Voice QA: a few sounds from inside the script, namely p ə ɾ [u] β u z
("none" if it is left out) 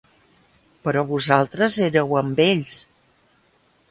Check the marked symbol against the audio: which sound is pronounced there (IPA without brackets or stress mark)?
ɔ